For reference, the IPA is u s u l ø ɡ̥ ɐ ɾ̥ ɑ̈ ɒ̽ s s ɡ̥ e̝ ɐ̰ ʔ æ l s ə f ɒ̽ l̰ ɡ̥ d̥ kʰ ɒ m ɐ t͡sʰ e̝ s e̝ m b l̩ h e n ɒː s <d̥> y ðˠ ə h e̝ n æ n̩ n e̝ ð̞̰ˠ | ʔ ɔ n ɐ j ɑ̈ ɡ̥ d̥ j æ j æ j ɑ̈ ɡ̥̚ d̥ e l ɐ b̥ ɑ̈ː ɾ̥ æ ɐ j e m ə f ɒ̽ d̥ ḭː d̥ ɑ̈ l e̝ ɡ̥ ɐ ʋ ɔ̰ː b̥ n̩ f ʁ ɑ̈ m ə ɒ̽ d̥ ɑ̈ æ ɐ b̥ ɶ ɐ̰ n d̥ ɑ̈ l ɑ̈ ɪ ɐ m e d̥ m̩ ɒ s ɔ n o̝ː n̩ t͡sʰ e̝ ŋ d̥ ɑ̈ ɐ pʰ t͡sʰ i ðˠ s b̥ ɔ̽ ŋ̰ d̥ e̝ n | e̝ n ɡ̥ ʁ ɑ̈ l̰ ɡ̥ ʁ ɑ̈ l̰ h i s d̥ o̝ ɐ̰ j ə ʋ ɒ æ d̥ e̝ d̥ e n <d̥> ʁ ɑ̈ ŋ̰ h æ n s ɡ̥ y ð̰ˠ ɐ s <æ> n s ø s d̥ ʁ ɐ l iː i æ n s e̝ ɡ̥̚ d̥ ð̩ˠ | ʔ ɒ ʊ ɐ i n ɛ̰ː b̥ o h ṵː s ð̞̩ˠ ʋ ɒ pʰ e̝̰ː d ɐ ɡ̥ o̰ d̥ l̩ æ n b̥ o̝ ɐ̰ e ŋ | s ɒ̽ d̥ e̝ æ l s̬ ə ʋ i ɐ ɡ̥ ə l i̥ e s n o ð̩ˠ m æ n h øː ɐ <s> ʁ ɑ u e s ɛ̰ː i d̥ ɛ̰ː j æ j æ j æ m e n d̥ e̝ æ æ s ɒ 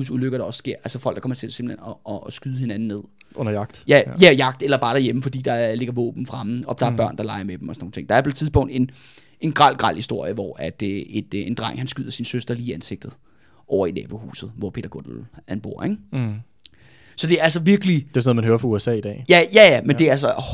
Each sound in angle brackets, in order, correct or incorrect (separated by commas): incorrect, correct, incorrect, incorrect